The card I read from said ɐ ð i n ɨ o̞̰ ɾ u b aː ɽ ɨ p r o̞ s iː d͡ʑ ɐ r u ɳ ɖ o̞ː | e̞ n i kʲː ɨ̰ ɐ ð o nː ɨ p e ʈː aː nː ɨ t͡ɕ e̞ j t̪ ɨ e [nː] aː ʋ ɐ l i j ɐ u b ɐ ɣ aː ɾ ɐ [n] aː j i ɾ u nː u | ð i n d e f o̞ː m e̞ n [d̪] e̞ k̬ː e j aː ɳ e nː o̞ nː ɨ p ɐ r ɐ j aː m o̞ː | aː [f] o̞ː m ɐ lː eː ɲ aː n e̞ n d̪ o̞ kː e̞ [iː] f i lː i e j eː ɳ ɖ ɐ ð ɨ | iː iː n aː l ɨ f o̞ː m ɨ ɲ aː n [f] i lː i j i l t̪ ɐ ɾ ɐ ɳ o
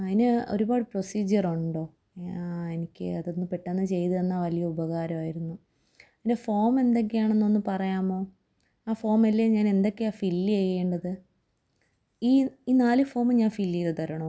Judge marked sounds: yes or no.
yes, no, yes, yes, no, yes

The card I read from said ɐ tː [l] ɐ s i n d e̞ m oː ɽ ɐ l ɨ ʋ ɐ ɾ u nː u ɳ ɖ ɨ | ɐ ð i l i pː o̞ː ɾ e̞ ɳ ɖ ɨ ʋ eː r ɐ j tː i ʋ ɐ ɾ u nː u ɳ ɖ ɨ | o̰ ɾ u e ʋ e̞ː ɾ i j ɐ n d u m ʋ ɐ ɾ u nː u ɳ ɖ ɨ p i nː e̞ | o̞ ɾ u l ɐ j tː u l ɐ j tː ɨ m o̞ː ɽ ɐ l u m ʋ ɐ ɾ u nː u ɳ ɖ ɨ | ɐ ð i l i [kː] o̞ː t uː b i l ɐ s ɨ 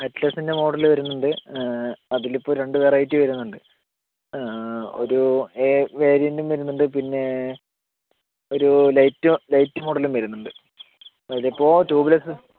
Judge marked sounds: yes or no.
yes, no

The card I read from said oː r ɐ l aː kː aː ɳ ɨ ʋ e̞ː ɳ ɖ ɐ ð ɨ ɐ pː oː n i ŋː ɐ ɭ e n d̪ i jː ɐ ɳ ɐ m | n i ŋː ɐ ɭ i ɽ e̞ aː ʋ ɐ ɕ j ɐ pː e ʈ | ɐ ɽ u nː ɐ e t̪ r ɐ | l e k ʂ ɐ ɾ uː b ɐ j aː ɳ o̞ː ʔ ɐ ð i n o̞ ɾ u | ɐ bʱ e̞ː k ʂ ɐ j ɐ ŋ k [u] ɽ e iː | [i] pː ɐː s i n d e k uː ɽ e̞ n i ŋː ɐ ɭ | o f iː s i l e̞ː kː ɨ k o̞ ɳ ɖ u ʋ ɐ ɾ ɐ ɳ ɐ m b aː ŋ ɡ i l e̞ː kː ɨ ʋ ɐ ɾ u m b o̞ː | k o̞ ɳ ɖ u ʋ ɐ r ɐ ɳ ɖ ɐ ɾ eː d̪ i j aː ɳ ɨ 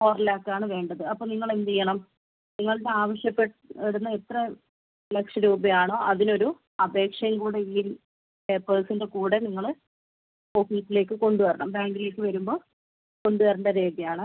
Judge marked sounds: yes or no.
no, no

